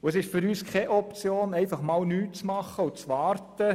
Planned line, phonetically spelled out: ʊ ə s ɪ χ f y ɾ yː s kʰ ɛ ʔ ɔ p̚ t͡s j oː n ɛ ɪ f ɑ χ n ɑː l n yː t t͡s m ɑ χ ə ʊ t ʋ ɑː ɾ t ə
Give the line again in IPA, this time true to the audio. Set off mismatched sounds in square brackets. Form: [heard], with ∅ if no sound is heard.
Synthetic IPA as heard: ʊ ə s ɪ [ʃ] f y ɾ yː s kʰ ɛ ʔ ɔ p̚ t͡s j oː n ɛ ɪ f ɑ χ [m] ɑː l n yː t t͡s m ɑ χ ə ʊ [t͡s] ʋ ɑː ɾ t ə